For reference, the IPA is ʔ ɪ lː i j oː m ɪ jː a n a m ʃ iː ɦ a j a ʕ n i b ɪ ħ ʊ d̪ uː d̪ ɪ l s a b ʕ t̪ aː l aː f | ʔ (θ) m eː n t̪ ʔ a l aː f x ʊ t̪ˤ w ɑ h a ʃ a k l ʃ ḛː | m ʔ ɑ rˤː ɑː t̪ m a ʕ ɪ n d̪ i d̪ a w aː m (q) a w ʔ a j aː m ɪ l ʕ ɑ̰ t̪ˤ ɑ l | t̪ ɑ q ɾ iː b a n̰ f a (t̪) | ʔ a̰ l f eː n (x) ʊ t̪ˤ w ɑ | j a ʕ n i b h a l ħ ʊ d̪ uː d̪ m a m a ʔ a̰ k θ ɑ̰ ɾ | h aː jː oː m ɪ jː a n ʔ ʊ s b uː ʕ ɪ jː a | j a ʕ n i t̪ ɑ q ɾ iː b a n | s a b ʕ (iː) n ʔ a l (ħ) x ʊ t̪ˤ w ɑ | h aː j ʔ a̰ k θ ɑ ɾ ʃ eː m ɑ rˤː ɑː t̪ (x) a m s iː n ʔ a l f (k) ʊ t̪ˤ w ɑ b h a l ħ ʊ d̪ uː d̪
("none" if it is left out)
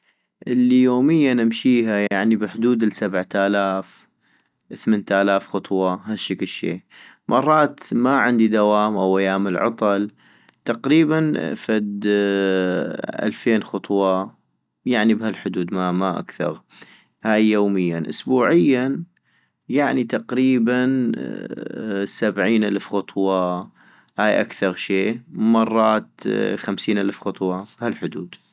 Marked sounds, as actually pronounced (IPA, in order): θ, ʔ, d̪, x, iː, f, x, x

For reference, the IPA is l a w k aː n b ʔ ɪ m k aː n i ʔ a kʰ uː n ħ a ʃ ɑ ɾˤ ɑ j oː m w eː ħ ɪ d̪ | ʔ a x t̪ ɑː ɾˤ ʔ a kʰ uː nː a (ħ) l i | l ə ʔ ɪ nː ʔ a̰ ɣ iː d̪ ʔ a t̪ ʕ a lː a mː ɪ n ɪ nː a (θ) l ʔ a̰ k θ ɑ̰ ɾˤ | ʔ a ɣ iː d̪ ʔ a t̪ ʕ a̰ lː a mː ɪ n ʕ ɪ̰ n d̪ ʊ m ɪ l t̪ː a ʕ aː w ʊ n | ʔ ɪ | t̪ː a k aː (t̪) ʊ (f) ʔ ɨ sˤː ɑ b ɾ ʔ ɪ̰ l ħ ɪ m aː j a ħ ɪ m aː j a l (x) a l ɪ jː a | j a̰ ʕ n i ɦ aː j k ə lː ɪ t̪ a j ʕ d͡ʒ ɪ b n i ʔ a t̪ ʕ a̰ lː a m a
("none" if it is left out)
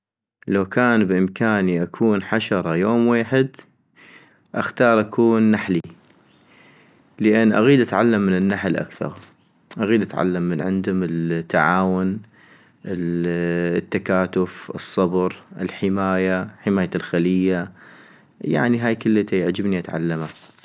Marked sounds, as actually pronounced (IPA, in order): ħ, ħ, t̪, f, x

